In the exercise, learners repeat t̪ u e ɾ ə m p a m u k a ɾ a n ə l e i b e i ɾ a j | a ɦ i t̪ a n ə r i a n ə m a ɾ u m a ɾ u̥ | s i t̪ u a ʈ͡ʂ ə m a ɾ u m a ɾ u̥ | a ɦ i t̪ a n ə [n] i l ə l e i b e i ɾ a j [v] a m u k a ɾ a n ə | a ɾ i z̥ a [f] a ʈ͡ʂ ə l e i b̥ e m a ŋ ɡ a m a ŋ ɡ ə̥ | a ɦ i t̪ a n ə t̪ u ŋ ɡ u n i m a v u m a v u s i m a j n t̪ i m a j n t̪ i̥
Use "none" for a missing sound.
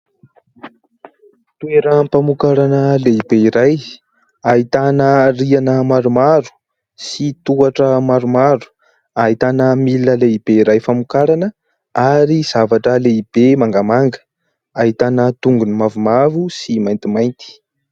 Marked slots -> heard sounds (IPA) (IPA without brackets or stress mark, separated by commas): m, f, v